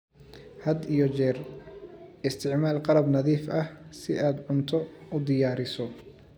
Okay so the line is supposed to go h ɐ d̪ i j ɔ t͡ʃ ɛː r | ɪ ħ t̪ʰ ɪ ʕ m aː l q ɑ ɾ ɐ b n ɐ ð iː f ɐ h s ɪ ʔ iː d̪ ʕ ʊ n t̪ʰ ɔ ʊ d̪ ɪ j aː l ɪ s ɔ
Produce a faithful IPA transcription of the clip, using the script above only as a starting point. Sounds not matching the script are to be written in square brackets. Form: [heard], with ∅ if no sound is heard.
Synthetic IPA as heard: h ɐ d̪ i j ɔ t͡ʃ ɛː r | ɪ [s] t̪ʰ ɪ ʕ m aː l q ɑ ɾ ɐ b n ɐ ð iː f ɐ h s ɪ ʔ [aː] d̪ ʕ ʊ n t̪ʰ ɔ ʊ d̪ ɪ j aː [ɾ] ɪ s ɔ

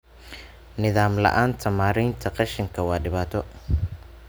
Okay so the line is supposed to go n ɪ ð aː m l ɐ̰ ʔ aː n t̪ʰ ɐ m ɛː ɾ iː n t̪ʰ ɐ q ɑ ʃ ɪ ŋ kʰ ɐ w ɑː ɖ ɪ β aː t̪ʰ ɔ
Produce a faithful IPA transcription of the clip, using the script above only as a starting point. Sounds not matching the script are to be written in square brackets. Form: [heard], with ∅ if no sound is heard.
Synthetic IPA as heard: n ɪ ð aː m l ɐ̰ ʔ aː n t̪ʰ ɐ m [aː] ɾ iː n t̪ʰ ɐ q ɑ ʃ ɪ ŋ kʰ ɐ w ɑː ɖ ɪ β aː t̪ʰ ɔ

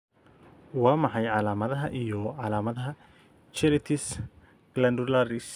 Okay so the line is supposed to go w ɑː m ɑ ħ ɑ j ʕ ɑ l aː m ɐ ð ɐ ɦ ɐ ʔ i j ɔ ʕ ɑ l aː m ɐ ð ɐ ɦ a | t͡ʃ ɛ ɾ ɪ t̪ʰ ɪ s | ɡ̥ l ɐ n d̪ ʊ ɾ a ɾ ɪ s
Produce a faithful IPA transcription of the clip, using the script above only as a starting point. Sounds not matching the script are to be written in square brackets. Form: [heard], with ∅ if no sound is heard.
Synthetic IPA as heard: w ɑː m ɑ ħ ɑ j ʕ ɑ l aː m ɐ ð ɐ ɦ ɐ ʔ i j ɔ ʕ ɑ l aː m ɐ ð ɐ ɦ [ɐ] | t͡ʃ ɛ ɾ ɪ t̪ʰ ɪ s | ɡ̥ l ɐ n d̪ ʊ [l] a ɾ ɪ s

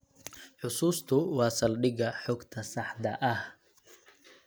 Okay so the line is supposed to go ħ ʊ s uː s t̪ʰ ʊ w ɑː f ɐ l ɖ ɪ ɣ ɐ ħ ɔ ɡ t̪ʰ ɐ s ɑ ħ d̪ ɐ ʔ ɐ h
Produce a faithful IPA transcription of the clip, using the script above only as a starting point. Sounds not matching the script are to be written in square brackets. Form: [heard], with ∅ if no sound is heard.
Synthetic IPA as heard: ħ ʊ s uː s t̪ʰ ʊ w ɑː [s] ɐ l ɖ ɪ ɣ ɐ ħ ɔ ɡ t̪ʰ ɐ s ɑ ħ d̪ ɐ ʔ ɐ h

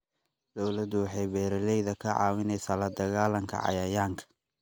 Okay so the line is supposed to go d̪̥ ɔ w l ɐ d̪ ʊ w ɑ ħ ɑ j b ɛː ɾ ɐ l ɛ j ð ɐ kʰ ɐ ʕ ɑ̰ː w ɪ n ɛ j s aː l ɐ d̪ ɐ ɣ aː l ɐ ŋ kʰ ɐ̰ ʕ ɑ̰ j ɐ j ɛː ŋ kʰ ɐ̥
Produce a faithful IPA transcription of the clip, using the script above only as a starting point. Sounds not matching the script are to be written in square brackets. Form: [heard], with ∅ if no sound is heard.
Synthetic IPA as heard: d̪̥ ɔ w l ɐ d̪ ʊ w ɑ ħ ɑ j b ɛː ɾ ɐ l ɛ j ð ɐ kʰ ɐ ʕ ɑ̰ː w ɪ n ɛ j s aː l ɐ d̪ ɐ ɣ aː l ɐ ŋ kʰ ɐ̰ ʕ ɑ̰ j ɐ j [aː] ŋ kʰ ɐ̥

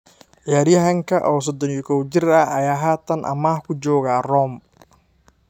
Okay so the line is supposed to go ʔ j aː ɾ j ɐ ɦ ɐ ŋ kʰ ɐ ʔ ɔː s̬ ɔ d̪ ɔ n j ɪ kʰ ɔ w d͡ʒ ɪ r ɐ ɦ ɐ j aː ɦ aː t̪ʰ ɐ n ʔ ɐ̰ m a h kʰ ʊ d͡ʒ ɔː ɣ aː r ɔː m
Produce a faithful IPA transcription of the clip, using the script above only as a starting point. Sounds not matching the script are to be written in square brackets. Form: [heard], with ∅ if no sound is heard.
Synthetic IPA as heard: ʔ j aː ɾ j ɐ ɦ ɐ ŋ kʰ ɐ ʔ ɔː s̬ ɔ d̪ ɔ n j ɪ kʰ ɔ w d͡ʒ ɪ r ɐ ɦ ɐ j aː ɦ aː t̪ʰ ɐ n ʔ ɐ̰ m a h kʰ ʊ d͡ʒ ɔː ɣ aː r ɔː m

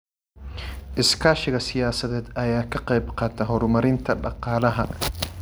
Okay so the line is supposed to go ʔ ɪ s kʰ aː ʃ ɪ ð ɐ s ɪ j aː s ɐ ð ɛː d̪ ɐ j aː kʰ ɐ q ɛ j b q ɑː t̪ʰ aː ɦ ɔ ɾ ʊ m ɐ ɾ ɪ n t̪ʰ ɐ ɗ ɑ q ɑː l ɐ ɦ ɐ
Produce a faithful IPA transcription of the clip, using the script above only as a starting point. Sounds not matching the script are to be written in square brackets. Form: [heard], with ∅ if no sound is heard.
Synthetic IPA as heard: ʔ ɪ s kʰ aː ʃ ɪ [ɣ] ɐ s ɪ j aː s ɐ ð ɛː d̪ ɐ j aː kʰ ɐ q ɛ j b q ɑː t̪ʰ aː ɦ ɔ ɾ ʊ m ɐ ɾ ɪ n t̪ʰ ɐ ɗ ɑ q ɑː l ɐ ɦ ɐ

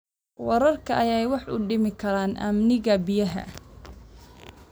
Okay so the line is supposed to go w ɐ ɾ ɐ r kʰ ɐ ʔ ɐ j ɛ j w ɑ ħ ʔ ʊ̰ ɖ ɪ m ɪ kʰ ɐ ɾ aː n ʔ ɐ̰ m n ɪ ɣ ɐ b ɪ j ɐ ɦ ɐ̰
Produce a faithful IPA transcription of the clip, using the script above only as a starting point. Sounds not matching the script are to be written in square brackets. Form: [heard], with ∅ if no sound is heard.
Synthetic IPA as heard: w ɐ ɾ ɐ r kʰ ɐ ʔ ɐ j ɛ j w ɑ ħ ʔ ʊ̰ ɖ ɪ m ɪ kʰ ɐ ɾ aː n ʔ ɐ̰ m n ɪ ɣ ɐ b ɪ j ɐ ɦ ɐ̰

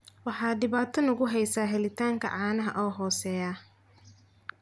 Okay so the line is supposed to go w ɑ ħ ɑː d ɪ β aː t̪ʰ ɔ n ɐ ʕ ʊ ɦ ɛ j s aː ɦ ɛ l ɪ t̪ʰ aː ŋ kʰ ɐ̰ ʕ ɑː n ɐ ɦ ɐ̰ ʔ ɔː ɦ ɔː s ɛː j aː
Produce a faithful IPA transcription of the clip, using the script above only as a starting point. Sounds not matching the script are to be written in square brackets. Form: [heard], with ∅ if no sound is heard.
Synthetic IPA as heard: w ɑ ħ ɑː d ɪ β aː t̪ʰ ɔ n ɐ [ɣ] ʊ ɦ ɛ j s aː ɦ ɛ l ɪ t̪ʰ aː ŋ kʰ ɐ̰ ʕ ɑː n ɐ ɦ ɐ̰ ʔ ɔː ɦ ɔː s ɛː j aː

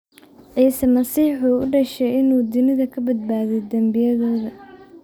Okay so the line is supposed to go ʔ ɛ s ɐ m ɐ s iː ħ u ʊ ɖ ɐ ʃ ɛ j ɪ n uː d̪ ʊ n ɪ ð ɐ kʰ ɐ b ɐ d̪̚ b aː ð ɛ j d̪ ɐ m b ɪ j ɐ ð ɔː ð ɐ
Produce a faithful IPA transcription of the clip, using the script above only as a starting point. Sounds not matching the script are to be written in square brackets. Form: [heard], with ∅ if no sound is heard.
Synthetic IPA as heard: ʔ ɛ s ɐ m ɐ s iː ħ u ʊ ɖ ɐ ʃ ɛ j ɪ n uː d̪ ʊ n ɪ ð ɐ kʰ ɐ b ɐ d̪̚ b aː ð ɛ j d̪ ɐ m b ɪ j ɐ ð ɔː ð ɐ

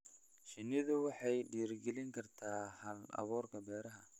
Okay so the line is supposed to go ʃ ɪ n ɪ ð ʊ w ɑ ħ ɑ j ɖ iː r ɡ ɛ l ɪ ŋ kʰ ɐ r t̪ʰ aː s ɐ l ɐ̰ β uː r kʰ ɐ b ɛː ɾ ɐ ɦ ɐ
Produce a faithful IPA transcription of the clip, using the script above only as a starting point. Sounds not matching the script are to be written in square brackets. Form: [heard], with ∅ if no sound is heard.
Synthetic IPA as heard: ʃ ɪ n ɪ ð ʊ w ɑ ħ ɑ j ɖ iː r ɡ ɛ l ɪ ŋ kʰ ɐ r t̪ʰ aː [h] ɐ l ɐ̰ β [ɔː] r kʰ ɐ b ɛː ɾ ɐ ɦ ɐ

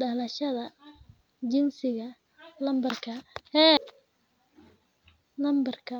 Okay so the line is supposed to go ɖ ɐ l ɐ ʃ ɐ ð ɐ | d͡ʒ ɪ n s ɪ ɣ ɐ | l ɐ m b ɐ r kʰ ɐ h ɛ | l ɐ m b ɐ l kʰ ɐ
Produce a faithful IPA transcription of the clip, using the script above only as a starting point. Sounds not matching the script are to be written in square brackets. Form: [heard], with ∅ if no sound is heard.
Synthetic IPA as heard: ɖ ɐ l ɐ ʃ ɐ ð ɐ | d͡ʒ ɪ n s ɪ ɣ ɐ | l ɐ m b ɐ r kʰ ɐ h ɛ | l ɐ m b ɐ [r] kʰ ɐ

